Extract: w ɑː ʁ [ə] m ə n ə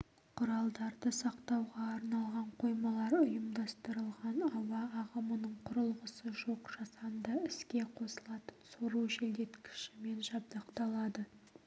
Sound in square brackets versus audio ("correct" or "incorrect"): correct